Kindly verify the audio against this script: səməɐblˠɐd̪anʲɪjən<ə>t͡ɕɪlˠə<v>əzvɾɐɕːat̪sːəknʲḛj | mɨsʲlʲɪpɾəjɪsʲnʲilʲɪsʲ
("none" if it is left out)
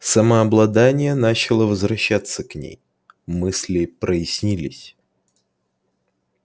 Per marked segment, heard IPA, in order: a, v

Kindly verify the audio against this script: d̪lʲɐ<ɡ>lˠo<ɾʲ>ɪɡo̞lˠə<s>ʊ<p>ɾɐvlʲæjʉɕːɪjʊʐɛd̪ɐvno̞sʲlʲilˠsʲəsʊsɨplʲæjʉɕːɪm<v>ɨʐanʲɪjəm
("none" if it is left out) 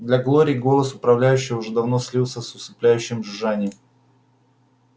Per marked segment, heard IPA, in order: ɡ, ɾʲ, s, p, ʐ

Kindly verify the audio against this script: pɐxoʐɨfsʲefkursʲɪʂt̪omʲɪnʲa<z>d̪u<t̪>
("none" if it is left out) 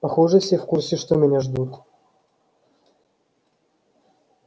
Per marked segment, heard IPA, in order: ʐ, t̪

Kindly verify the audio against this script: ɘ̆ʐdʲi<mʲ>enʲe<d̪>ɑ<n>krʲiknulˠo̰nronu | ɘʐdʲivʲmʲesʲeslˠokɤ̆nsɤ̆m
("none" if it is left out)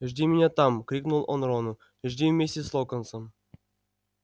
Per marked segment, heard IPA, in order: mʲ, t̪, m

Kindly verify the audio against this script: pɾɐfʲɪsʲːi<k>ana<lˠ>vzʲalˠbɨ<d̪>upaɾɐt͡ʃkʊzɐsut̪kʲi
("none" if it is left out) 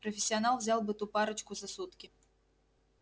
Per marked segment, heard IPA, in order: none, lˠ, t̪

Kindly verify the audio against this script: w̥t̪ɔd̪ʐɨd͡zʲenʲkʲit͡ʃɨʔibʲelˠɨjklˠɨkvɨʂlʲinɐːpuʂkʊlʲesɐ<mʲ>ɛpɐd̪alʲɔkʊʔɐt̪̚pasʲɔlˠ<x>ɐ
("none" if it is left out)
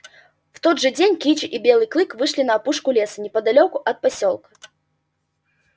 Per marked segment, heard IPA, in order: nʲ, k

